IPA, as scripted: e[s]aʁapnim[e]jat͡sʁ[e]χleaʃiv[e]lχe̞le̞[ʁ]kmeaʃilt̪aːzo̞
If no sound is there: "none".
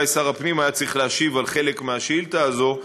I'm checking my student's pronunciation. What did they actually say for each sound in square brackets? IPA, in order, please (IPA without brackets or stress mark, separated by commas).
s, a, i, a, none